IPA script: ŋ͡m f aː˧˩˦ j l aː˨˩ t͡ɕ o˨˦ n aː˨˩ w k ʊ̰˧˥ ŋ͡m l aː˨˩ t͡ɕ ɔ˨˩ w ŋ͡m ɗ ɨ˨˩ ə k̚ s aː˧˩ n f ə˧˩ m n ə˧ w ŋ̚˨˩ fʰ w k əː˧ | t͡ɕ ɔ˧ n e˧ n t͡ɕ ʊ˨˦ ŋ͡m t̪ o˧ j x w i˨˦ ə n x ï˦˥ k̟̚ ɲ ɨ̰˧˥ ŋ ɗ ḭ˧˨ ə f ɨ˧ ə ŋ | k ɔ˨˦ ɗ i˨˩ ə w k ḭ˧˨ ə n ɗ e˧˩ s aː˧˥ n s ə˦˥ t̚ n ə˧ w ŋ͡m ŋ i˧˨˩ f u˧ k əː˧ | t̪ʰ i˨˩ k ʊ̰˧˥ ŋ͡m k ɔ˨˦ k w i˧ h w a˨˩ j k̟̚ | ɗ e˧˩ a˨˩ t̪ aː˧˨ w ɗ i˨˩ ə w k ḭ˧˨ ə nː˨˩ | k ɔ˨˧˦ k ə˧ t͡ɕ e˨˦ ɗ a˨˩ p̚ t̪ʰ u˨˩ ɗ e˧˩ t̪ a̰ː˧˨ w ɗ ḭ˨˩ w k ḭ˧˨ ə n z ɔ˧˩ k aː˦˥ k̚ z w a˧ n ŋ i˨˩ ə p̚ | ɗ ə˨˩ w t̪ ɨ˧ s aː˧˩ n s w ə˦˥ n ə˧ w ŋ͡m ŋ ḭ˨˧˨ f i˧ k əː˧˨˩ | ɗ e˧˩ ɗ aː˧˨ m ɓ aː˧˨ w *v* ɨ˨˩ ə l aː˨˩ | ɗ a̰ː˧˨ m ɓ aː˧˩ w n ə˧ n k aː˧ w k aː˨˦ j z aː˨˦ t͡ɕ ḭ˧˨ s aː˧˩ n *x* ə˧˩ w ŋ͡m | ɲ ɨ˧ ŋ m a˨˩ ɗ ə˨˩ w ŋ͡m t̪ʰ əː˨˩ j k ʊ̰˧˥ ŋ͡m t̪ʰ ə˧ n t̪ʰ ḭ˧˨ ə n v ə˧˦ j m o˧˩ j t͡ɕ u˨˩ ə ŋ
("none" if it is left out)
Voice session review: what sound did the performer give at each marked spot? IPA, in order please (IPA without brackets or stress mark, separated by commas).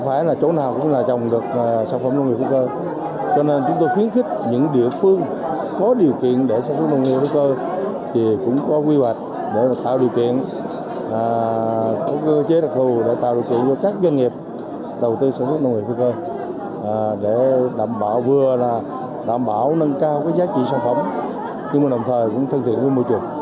v, f